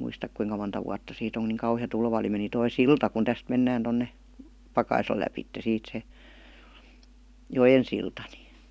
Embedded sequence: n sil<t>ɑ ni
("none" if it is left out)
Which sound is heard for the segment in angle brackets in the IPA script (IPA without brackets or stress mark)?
t